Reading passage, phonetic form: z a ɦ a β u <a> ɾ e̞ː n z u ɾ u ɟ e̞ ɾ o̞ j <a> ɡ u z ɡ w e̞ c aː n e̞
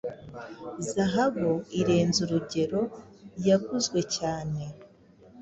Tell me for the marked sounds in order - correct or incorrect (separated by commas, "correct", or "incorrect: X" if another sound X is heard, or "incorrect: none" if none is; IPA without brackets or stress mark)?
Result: incorrect: i, correct